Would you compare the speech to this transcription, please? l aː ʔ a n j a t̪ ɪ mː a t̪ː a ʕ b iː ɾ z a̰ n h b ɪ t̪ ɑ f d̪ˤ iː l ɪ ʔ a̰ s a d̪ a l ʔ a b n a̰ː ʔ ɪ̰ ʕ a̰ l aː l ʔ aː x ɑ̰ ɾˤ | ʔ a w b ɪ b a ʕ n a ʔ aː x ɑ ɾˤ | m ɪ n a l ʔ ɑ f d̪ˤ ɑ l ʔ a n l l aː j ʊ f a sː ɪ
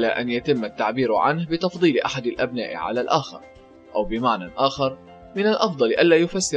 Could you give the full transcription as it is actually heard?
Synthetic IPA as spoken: l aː ʔ a n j a t̪ ɪ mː a t̪ː a ʕ b iː ɾ ʕ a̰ n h b ɪ t̪ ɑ f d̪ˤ iː l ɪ ʔ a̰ ħ a d̪ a l ʔ a b n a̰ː ʔ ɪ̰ ʕ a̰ l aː l ʔ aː x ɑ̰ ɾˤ | ʔ a w b ɪ m a ʕ n a ʔ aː x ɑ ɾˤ | m ɪ n a l ʔ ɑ f d̪ˤ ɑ l ʔ a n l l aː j ʊ f a sː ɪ